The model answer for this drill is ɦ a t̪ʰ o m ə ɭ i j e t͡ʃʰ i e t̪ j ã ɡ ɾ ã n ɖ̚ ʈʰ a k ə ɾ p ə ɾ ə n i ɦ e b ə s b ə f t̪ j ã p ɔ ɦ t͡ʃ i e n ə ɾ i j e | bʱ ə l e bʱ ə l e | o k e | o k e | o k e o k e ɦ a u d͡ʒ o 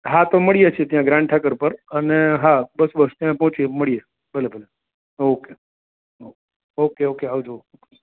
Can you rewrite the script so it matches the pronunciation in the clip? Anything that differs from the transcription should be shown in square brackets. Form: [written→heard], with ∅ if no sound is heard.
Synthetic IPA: ɦ a [t̪ʰ→t̪] o m ə ɭ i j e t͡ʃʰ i e t̪ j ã ɡ ɾ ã [n→ɳ] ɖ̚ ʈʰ a k ə ɾ p ə ɾ ə n [i→e] ɦ [e→a] b ə s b ə [f→s] t̪ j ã p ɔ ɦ t͡ʃ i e [n→m] ə [ɾ→ɭ] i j e | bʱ ə l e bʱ ə l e | o k e | o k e | o k e o k e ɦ a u d͡ʒ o

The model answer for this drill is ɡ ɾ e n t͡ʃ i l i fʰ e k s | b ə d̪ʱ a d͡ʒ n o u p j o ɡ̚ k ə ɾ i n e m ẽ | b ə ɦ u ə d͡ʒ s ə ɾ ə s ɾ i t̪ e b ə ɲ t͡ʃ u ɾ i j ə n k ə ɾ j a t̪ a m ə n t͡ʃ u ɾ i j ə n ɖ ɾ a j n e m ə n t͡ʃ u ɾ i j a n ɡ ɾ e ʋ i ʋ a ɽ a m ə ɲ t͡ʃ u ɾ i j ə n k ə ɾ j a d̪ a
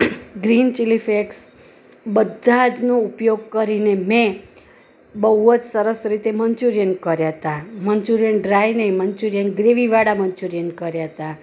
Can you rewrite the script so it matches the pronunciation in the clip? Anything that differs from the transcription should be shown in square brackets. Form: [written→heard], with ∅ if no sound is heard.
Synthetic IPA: ɡ ɾ [e→i] n t͡ʃ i l i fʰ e k s | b ə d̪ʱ a d͡ʒ n o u p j o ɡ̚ k ə ɾ i n e m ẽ | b ə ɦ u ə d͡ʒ s ə ɾ ə s ɾ i t̪ e [b→m] ə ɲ t͡ʃ u ɾ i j ə n k ə ɾ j a t̪ a m ə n t͡ʃ u ɾ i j ə n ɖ ɾ a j n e m ə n t͡ʃ u ɾ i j [a→ə] n ɡ ɾ e ʋ i ʋ a ɽ a m ə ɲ t͡ʃ u ɾ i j ə n k ə ɾ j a [d̪→t̪] a

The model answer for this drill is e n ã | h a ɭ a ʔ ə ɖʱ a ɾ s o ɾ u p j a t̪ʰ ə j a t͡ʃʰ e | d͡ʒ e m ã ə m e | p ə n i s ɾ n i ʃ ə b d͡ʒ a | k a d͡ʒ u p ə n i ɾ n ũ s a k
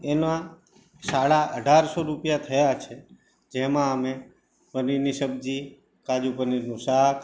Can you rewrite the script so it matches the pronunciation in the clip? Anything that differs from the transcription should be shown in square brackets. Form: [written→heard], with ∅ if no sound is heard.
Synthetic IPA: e n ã | [h→s] a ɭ a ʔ ə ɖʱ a ɾ s o ɾ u p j a t̪ʰ ə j a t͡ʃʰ e | d͡ʒ e m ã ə m e | p ə n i [s→∅] ɾ n i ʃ ə b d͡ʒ [a→i] | k a d͡ʒ u p ə n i ɾ n ũ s a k

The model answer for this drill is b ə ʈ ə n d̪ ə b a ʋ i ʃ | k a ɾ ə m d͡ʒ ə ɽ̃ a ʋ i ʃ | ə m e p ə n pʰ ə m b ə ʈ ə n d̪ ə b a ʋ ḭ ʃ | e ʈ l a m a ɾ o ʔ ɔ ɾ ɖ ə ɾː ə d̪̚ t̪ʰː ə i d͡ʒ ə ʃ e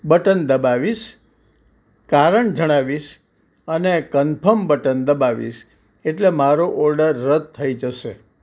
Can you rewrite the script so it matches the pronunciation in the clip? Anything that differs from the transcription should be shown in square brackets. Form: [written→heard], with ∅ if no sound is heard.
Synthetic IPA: b ə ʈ ə n d̪ ə b a ʋ i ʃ | k a ɾ ə [m→ɳ] d͡ʒ ə ɽ̃ a ʋ i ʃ | ə [m→n] e [p→k] ə n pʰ ə m b ə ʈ ə n d̪ ə b a ʋ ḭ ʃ | e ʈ l [a→e] m a ɾ o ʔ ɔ ɾ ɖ ə ɾː ə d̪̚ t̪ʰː ə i d͡ʒ ə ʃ e

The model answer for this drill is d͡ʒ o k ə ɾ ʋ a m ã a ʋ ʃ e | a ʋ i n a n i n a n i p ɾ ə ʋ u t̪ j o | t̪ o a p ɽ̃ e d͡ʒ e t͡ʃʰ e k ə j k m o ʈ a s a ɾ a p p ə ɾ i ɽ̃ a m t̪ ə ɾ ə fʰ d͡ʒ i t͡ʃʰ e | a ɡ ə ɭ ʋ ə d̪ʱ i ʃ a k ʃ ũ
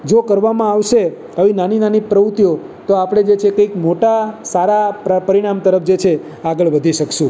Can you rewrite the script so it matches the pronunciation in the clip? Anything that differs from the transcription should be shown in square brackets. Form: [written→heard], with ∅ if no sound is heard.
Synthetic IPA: d͡ʒ o k ə ɾ ʋ a m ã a ʋ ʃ e | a ʋ i n a n i n a n i p ɾ ə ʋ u t̪ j o | t̪ o a p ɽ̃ e d͡ʒ e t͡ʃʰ e k ə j k m o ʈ a s a ɾ a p p ə ɾ i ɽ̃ a m t̪ ə ɾ ə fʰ d͡ʒ [i→e] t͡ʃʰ e | a ɡ ə ɭ ʋ ə d̪ʱ i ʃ [a→ə] k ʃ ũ

